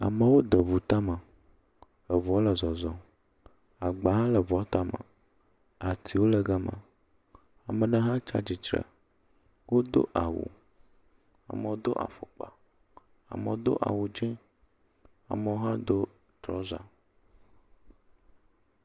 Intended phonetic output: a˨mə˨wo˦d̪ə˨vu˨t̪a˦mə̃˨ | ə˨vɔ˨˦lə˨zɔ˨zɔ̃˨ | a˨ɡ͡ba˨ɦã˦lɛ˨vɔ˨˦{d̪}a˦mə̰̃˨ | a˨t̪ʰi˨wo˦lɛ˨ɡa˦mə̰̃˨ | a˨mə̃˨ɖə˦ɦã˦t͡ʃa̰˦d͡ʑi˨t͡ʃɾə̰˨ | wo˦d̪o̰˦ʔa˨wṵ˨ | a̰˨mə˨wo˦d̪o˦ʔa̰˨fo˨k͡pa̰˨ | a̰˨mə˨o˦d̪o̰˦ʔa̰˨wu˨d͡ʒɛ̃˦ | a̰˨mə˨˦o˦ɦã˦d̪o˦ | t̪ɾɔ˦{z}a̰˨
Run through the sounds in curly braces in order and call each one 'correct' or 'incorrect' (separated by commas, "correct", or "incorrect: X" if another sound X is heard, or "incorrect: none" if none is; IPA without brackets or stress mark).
incorrect: t̪, correct